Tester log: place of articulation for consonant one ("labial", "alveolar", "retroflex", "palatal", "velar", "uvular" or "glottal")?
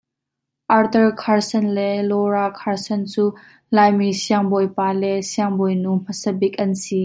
glottal